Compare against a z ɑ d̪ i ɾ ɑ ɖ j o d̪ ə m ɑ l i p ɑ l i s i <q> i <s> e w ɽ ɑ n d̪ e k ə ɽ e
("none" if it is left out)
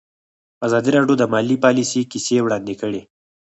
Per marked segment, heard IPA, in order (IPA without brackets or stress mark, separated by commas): k, s